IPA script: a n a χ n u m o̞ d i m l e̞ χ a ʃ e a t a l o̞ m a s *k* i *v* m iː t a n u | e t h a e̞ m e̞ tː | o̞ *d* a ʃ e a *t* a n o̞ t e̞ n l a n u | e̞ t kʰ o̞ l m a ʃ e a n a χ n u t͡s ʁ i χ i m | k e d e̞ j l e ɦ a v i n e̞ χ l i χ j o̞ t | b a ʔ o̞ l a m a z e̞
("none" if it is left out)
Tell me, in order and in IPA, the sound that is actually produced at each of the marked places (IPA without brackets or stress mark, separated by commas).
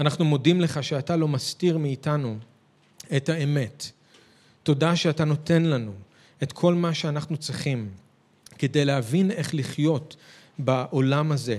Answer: t, ʁ, d, t